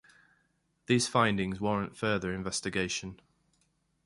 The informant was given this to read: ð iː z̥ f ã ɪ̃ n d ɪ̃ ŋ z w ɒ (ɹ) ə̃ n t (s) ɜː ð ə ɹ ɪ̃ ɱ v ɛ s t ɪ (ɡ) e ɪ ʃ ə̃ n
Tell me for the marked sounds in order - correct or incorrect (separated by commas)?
correct, incorrect, correct